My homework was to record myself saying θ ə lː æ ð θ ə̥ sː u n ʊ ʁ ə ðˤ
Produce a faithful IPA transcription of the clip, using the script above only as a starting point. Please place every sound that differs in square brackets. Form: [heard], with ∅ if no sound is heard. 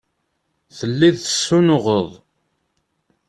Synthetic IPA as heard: θ ə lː [i] ð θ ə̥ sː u n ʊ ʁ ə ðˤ

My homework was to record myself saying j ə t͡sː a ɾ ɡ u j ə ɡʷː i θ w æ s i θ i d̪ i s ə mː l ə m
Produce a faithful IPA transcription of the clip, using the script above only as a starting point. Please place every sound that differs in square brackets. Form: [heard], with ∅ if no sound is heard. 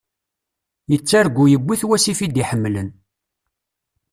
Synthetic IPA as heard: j ə t͡sː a ɾ ɡ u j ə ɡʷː i θ w æ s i [f] i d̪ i [ħ] ə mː l ə [n]

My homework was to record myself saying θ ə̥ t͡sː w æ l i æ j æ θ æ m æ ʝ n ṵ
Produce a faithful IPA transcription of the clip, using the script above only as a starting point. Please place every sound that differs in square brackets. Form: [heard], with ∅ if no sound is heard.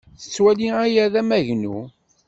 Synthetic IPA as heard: θ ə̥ t͡sː w æ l i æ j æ [ð] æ m æ ʝ n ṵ

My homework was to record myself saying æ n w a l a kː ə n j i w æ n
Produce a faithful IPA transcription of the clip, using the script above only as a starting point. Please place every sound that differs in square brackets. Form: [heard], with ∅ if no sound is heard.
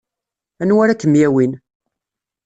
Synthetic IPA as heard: æ n w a [ɾ] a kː ə [m] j [æ] w [i] n

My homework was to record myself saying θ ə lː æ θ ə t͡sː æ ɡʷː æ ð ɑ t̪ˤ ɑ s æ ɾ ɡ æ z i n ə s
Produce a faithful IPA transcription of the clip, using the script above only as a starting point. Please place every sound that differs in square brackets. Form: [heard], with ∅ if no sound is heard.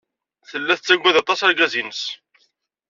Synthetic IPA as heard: θ ə lː æ θ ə t͡sː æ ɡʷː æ ð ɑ t̪ˤ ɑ s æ ɾ ɡ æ z i n ə s

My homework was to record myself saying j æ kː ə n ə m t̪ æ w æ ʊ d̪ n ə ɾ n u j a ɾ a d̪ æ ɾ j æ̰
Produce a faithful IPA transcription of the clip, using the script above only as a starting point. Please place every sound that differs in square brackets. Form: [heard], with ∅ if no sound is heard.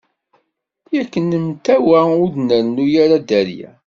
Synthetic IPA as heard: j æ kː ə n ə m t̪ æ w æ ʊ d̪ n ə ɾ n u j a ɾ a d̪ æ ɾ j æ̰

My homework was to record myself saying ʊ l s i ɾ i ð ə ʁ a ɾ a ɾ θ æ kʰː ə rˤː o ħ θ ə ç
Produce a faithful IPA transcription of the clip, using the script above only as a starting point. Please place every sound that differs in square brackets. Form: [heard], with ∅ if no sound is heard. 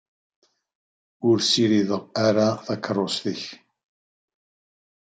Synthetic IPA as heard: ʊ [ɾ] s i ɾ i ð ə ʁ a ɾ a [∅] θ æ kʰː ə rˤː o [s] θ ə ç

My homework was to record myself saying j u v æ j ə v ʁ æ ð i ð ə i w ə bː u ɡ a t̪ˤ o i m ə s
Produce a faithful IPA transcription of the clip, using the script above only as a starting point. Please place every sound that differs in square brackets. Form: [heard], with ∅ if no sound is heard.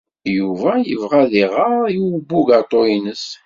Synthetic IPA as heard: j u v æ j ə v ʁ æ ð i [ʁ] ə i w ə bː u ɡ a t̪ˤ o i [n] ə s

